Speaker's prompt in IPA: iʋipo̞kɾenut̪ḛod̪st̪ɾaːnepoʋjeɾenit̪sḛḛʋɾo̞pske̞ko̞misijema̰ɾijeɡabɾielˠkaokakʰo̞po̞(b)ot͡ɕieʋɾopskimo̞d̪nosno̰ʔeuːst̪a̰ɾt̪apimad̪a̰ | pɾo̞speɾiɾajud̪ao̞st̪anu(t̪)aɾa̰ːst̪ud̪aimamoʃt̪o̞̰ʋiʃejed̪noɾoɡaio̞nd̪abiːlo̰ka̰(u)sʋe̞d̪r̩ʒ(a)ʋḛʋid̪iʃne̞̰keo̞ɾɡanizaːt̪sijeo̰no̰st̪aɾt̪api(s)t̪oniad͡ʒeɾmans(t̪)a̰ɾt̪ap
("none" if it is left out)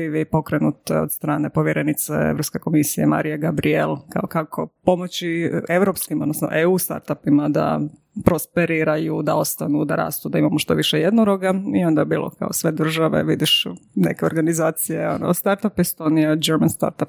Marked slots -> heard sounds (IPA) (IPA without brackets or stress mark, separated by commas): m, d̪, o, a, s, t̪